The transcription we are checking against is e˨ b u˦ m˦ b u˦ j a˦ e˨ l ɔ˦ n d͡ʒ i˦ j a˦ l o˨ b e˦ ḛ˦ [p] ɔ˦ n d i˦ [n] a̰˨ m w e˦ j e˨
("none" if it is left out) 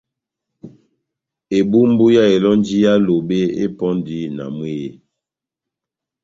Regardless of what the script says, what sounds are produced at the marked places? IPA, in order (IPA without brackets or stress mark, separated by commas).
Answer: p, n